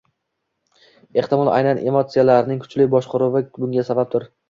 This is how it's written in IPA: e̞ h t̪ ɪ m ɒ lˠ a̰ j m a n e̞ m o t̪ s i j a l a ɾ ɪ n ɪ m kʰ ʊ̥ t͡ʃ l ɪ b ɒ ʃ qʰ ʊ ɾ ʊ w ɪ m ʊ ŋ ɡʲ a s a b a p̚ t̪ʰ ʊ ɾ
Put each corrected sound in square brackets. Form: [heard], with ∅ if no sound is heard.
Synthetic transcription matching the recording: e̞ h t̪ ɪ m ɒ lˠ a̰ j [n] a n e̞ m o t̪ s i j a l a ɾ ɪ n ɪ [ŋ] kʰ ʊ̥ t͡ʃ l ɪ b ɒ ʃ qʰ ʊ ɾ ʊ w ɪ [b] ʊ ŋ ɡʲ a s a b a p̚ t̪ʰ ʊ ɾ

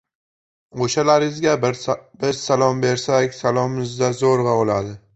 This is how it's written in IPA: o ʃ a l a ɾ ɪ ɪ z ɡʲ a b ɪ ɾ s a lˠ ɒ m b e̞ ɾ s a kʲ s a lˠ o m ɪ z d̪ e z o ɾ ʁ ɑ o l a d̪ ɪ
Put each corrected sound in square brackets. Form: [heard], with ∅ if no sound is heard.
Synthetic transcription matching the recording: o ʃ a l a ɾ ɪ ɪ z ɡʲ a b ɪ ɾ s a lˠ ɒ m b e̞ ɾ s a kʲ s a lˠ [ɒ] m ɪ z d̪ [a] z o ɾ ʁ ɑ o l a d̪ ɪ

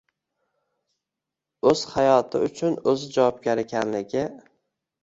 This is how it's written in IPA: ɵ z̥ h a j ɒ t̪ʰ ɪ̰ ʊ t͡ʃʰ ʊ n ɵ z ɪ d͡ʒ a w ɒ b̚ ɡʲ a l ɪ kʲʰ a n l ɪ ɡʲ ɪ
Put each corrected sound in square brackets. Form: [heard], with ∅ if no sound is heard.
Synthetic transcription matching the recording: ɵ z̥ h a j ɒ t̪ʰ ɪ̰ ʊ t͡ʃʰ ʊ n ɵ z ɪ d͡ʒ a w ɒ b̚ ɡʲ a [ɾ] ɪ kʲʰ a n l ɪ ɡʲ ɪ

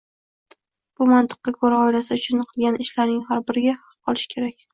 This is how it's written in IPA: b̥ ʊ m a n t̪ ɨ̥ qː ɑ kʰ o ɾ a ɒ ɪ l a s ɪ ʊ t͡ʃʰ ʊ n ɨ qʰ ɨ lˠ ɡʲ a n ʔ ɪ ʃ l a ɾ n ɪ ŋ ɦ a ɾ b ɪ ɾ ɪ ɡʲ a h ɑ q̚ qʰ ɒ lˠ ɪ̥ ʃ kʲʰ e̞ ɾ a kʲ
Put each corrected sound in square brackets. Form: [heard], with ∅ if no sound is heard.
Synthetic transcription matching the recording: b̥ ʊ m a n t̪ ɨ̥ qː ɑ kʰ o ɾ a ɒ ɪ l a s ɪ ʊ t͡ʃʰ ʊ n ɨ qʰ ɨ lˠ ɡʲ a n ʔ ɪ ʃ l a ɾ n ɪ ŋ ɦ a ɾ b ɪ ɾ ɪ ɡʲ a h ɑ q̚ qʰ ɒ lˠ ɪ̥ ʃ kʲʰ e̞ ɾ a kʲ

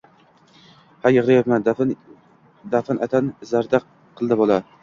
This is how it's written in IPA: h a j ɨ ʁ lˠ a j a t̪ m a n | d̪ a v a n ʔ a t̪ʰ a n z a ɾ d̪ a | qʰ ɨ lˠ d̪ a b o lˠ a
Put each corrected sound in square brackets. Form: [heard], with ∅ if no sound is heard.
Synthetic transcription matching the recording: h a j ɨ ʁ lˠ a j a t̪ m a n | d̪ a [f] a n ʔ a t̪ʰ a n z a ɾ d̪ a | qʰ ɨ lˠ d̪ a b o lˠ a

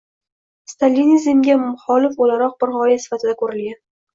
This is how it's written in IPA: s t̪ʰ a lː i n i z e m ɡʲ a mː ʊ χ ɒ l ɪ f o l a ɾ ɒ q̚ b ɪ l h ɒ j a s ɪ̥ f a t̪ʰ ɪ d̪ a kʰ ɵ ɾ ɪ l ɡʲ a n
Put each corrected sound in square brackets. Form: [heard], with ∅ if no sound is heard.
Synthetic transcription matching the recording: s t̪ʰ a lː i n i z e m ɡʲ a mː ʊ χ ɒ l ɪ f o l a ɾ ɒ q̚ b ɪ [ɾ] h ɒ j a s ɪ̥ f a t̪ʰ ɪ d̪ a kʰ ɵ ɾ ɪ l ɡʲ a n

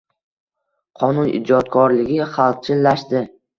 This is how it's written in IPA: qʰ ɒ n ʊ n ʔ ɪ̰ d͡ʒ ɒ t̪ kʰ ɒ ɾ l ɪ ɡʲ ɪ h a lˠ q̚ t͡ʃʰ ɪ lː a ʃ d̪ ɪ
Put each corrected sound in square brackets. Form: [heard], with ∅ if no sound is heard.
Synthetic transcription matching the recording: qʰ ɒ n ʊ n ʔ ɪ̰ d͡ʒ ɒ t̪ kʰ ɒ ɾ l ɪ ɡʲ ɪ [χ] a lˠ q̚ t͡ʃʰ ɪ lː a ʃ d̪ ɪ

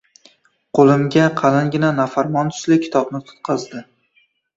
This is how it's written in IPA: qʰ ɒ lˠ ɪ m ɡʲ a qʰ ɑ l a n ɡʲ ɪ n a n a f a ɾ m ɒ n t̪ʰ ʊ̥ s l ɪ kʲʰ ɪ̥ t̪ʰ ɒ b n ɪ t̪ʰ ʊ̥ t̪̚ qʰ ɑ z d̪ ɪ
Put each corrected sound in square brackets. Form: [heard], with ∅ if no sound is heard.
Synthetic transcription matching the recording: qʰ [o] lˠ ɪ m ɡʲ a qʰ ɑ l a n ɡʲ ɪ n a n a f a ɾ m ɒ n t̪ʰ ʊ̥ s l ɪ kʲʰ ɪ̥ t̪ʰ ɒ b n ɪ t̪ʰ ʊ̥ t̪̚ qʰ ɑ z d̪ ɪ

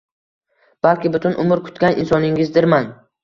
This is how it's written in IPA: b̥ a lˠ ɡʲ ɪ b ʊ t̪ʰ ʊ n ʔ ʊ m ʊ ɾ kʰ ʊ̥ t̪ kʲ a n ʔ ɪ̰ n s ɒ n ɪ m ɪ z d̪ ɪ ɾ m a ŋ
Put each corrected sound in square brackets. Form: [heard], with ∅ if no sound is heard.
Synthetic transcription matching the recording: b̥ a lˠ [kʲ] ɪ b ʊ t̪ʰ ʊ n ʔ ʊ m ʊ ɾ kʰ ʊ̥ t̪ kʲ a n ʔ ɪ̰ n s ɒ n ɪ [ŋ] ɪ z d̪ ɪ ɾ m a [n]

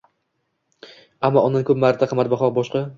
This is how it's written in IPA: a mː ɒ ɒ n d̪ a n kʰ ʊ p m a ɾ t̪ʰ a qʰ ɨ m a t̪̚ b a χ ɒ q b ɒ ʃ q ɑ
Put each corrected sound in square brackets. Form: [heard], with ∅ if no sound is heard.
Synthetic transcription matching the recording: a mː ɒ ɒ n d̪ a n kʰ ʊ p m a ɾ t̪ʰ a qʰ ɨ m a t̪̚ b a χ ɒ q b ɒ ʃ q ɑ

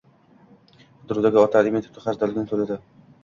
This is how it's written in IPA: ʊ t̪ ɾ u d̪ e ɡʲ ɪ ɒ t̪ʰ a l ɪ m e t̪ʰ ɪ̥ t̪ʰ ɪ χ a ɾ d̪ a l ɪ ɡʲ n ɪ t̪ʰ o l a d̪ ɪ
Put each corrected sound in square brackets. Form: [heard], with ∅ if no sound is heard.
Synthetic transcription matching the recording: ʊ [d̪] ɾ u d̪ [a] ɡʲ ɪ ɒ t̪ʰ a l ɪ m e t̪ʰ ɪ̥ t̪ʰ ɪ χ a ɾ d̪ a l ɪ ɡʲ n ɪ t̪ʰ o l a d̪ ɪ

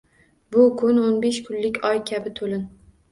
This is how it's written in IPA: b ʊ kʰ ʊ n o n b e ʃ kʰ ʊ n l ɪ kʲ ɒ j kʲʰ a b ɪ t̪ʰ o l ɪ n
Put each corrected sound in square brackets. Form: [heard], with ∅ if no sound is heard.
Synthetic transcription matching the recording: b ʊ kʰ ʊ n o n b e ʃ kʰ ʊ n l ɪ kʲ ɒ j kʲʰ a b ɪ t̪ʰ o l ɪ n

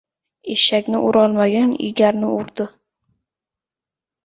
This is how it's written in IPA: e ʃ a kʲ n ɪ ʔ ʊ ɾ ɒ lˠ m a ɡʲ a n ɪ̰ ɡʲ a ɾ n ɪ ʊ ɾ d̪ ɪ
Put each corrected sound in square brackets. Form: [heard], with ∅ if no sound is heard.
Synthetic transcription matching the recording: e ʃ a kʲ n ɪ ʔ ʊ ɾ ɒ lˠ m a ɡʲ a n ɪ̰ ɡʲ a ɾ n ɪ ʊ ɾ d̪ ɪ

